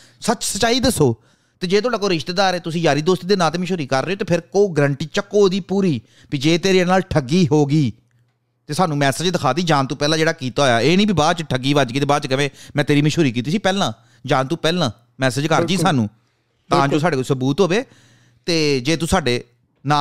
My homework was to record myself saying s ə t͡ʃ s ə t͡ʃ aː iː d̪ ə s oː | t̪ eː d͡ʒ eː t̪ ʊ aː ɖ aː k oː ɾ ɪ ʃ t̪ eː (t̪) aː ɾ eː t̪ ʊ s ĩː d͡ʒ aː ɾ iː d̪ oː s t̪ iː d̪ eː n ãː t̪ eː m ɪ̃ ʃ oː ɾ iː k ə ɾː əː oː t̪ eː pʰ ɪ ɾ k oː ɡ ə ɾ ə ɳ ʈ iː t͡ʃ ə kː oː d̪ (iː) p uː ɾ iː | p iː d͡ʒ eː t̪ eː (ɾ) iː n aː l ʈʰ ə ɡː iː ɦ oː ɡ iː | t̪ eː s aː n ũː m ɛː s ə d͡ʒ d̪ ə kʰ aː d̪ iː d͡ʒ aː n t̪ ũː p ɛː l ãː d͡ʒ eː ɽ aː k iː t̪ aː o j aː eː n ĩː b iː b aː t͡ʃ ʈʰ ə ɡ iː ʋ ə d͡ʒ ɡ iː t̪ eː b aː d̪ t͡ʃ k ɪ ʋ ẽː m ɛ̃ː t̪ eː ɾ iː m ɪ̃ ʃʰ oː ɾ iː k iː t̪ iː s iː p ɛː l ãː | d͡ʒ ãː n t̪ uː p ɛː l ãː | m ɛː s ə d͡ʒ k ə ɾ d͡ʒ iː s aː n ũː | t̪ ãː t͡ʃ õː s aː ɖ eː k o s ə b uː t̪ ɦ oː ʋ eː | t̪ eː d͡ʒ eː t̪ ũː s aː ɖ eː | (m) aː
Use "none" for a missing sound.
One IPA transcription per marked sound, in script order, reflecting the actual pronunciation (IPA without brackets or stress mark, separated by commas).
d̪, iː, ɾ, n